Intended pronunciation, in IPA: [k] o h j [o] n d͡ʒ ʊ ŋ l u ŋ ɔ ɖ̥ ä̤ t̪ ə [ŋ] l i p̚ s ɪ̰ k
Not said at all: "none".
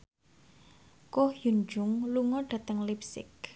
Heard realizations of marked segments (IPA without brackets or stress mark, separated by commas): k, u, ŋ